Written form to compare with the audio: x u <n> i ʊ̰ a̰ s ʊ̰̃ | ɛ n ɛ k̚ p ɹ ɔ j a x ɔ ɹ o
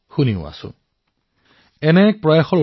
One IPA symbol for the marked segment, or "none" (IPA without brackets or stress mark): n